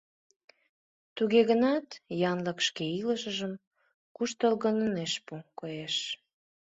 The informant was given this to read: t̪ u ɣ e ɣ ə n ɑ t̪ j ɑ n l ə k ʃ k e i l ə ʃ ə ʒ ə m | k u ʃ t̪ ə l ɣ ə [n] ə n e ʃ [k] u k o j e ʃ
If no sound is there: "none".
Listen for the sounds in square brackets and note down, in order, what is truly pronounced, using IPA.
n, p

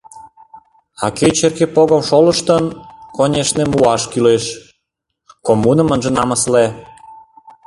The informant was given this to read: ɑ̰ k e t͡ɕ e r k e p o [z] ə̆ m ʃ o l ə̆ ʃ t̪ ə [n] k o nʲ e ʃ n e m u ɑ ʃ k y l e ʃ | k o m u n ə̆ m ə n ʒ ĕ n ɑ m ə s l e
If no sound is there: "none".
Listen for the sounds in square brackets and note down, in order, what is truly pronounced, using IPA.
ɣ, n

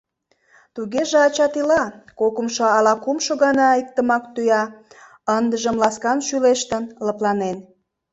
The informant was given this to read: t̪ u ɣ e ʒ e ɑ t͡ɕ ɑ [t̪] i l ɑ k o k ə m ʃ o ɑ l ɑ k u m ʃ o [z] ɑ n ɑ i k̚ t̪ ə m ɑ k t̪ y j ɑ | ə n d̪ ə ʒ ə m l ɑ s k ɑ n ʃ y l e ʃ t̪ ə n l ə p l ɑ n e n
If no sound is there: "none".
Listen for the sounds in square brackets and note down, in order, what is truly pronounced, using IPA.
t̪, ɣ

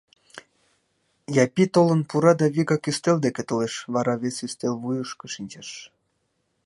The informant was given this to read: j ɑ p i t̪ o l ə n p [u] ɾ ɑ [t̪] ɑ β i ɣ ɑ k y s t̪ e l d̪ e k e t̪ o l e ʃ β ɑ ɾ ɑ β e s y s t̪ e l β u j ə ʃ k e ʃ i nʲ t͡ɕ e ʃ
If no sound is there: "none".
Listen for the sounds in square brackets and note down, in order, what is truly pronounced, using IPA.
u, d̪

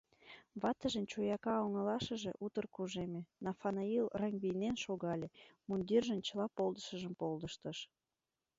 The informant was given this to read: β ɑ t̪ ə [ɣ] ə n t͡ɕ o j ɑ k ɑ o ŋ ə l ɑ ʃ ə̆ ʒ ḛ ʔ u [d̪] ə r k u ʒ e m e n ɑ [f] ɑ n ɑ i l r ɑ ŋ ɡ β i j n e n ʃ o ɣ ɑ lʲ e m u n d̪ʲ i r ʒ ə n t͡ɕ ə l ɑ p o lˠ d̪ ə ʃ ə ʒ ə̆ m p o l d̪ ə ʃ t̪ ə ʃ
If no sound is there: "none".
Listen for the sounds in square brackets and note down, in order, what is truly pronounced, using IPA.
ʒ, t̪, f

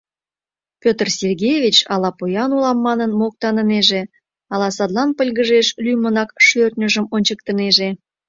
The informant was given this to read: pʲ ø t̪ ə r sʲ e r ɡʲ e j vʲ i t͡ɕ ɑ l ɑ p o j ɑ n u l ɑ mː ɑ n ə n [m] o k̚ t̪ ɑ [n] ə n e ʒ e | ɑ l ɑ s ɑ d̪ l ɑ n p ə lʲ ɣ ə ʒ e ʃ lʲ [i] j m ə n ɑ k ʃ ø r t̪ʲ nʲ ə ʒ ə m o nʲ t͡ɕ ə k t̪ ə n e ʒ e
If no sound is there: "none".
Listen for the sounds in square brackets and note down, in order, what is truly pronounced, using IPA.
m, n, y

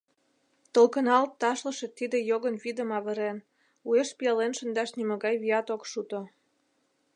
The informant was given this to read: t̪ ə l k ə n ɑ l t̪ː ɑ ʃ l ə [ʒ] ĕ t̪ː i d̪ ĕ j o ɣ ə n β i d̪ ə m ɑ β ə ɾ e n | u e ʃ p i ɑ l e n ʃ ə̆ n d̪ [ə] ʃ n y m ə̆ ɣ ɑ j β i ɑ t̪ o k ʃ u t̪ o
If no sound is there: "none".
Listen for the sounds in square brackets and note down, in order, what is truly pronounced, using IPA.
ʃ, ɑ

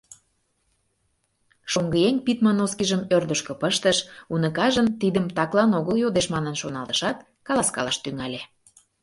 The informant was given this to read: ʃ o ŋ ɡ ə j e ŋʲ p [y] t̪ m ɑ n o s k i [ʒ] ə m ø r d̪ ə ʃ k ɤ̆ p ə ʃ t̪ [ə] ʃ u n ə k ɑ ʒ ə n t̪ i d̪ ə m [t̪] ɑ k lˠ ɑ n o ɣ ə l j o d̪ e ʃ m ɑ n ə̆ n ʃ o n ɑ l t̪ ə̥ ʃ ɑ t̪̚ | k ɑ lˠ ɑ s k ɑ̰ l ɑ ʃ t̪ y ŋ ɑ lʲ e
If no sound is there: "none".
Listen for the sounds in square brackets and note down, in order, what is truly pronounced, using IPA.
i, ʒ, ə, t̪

